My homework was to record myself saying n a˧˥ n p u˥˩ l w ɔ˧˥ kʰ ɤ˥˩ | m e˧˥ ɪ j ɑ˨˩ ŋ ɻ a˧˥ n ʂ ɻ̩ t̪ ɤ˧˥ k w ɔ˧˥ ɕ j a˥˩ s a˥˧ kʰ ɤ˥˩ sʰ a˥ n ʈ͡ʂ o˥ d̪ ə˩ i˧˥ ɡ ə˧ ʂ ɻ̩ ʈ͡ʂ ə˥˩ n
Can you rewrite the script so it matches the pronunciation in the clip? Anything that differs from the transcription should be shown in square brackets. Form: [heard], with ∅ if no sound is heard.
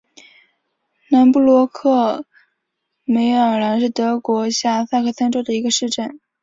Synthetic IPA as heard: n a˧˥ n p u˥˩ l w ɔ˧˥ kʰ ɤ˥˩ | m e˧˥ ɪ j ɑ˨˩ ŋ ɻ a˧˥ n ʂ ɻ̩ t̪ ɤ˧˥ k w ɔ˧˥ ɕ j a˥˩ s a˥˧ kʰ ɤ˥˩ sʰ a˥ n ʈ͡ʂ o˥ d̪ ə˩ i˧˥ ɡ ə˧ ʂ ɻ̩ ʈ͡ʂ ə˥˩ n